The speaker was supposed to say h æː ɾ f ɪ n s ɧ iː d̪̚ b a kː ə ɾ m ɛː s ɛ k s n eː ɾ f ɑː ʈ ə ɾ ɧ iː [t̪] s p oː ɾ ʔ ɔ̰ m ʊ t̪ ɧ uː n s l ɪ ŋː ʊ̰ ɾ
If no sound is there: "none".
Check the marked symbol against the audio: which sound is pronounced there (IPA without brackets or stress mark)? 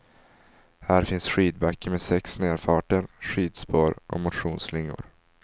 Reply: d̪